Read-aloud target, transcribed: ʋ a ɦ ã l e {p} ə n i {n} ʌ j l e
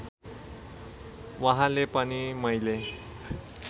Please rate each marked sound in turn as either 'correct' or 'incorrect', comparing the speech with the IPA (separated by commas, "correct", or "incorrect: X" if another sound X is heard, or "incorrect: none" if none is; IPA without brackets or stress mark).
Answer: correct, incorrect: m